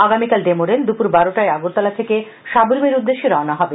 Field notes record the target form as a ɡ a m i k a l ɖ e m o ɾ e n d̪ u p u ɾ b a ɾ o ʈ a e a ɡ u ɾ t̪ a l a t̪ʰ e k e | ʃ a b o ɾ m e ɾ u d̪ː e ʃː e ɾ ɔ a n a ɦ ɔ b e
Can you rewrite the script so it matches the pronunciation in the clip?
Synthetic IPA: a ɡ a m i k a l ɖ e m o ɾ e n d̪ u p u ɾ b a ɾ o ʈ a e a ɡ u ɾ t̪ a l a t̪ʰ e k e | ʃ a b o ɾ m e ɾ u d̪ː e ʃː e ɾ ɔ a n a ɦ ɔ b e